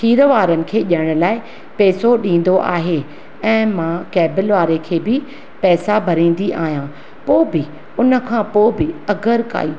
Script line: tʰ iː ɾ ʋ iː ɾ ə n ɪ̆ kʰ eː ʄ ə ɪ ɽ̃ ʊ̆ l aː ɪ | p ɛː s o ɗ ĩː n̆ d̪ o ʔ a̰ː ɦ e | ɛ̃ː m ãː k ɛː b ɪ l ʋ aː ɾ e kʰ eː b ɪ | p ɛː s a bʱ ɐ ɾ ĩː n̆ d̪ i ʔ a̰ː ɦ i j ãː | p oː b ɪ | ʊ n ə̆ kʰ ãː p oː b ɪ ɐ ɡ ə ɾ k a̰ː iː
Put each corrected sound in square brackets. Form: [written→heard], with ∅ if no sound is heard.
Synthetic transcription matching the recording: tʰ iː ɾ ʋ [iː→aː] ɾ ə n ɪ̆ kʰ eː ʄ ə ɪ ɽ̃ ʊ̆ l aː ɪ | p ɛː s o ɗ ĩː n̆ d̪ o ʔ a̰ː ɦ e | ɛ̃ː m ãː k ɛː b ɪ l ʋ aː ɾ e kʰ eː b ɪ | p ɛː s a bʱ ɐ ɾ ĩː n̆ d̪ i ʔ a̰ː ɦ i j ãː | p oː b ɪ | ʊ n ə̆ kʰ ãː p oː b ɪ ɐ ɡ ə ɾ k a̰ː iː